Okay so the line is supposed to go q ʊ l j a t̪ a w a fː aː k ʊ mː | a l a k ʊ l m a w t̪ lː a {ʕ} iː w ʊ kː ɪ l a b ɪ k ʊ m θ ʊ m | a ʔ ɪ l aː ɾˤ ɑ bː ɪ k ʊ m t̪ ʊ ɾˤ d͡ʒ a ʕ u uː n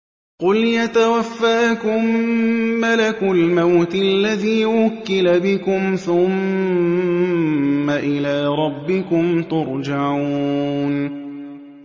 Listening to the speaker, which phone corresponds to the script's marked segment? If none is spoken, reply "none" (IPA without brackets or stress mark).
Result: ð